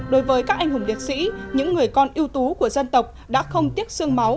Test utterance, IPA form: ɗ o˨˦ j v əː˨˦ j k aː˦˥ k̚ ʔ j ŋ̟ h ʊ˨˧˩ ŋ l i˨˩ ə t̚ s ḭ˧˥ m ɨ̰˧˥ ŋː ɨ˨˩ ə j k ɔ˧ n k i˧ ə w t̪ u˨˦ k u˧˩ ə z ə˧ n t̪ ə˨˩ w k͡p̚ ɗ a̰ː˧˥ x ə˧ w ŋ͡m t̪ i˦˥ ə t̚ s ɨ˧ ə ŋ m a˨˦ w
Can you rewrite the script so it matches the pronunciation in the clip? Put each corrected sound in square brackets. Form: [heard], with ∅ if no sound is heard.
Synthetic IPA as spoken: ɗ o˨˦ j v əː˨˦ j k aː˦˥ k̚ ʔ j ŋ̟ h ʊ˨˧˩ [ŋ͡m] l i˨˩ ə t̚ s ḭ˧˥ [ɲ] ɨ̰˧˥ ŋː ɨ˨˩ ə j k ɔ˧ n [ʔ] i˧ ə w t̪ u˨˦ k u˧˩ ə z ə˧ n t̪ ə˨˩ w k͡p̚ ɗ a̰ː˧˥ x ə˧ w ŋ͡m t̪ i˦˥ ə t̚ s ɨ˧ ə ŋ m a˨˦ w